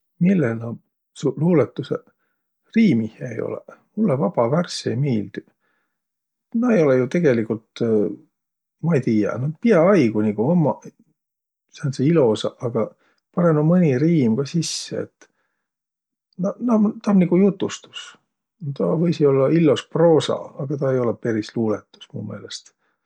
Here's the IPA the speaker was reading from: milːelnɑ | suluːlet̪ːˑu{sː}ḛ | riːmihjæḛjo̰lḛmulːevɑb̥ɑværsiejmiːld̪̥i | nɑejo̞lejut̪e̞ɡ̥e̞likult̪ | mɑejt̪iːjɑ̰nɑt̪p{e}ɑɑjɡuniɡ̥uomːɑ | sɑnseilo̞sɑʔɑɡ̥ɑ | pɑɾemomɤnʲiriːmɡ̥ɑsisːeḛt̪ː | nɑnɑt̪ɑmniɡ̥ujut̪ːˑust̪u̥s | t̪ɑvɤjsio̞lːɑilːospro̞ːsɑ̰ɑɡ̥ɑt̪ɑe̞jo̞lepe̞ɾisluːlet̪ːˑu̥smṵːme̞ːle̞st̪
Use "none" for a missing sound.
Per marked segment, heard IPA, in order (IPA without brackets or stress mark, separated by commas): s, i